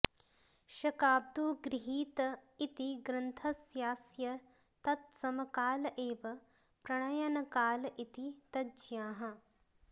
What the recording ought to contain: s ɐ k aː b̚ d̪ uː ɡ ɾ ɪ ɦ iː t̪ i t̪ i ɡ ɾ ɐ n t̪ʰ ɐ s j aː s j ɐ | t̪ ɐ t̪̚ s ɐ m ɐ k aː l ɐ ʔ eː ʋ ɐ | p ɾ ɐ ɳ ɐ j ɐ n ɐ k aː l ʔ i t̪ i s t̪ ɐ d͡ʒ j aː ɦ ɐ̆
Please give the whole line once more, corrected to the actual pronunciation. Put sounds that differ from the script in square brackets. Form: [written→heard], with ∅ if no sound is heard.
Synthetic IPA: [s→ʃ] ɐ k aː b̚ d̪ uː ɡ ɾ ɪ ɦ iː t̪ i t̪ i ɡ ɾ ɐ n t̪ʰ ɐ s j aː s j ɐ | t̪ ɐ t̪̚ s ɐ m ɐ k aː l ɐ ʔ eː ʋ ɐ | p ɾ ɐ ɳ ɐ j ɐ n ɐ k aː l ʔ i t̪ i [s→∅] t̪ ɐ d͡ʒ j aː ɦ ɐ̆